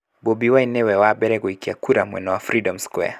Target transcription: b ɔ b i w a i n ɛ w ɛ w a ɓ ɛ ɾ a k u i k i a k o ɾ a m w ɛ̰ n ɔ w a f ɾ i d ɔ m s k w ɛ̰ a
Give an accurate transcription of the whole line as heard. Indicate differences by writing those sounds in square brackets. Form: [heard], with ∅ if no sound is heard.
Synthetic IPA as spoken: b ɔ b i w a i n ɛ w ɛ w a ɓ ɛ ɾ [ɛ] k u i k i a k [u] ɾ a m w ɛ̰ n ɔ w a f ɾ i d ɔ m s k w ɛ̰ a